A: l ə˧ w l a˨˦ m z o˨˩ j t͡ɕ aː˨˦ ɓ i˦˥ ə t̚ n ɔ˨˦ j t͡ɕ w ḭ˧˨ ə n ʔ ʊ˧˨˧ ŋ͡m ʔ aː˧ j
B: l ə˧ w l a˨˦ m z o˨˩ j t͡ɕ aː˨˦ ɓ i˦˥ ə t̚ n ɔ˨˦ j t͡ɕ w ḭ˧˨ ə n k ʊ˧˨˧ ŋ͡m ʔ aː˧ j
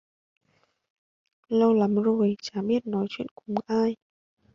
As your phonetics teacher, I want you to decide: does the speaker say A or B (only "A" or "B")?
B